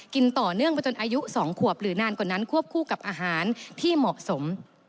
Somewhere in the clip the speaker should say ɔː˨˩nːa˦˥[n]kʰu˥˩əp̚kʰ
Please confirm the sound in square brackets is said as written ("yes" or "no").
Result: yes